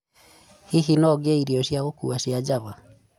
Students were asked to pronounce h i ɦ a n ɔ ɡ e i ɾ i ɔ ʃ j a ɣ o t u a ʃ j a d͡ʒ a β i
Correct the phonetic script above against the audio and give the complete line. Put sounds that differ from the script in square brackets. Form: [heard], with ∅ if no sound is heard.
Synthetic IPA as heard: h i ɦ [i] n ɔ ɡ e i ɾ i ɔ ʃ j a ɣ o [k] u a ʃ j a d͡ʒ a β [a]